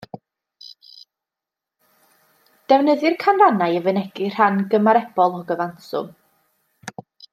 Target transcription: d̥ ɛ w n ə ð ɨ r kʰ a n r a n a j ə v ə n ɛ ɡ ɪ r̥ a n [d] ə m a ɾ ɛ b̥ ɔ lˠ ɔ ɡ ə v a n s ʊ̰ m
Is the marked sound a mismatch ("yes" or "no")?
yes